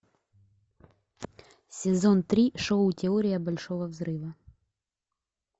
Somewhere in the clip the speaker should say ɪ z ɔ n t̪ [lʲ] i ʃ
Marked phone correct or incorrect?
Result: incorrect